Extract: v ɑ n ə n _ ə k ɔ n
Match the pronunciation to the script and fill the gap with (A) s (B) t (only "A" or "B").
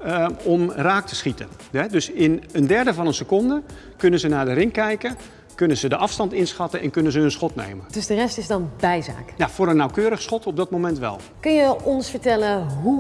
A